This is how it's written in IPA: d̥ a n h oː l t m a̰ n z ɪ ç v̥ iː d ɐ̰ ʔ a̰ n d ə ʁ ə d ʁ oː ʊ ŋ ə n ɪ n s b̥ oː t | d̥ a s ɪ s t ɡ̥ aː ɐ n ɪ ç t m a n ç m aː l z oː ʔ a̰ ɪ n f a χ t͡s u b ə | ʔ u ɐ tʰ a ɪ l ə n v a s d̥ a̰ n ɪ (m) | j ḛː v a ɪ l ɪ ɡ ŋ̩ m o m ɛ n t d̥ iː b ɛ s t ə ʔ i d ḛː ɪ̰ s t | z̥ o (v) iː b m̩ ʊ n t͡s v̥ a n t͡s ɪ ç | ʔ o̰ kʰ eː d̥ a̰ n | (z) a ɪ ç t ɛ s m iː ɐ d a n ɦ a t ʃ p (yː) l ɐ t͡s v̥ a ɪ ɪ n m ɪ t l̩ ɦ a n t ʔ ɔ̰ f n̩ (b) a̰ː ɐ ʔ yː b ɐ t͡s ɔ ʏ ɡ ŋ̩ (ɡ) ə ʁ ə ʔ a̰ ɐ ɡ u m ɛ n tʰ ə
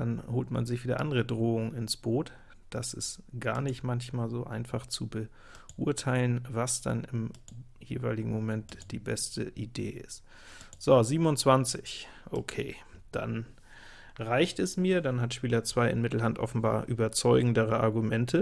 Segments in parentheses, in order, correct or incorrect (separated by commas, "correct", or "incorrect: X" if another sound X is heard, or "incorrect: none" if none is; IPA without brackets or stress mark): correct, incorrect: z, incorrect: ʁ, incorrect: iː, correct, incorrect: d